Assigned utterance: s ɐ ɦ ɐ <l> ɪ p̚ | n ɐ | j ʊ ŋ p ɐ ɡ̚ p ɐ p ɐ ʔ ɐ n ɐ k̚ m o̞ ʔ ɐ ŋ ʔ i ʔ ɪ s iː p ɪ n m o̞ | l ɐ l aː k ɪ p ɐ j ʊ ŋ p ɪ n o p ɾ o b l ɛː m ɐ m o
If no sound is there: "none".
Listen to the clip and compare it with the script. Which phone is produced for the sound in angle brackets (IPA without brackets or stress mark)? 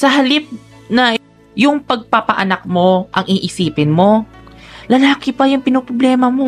l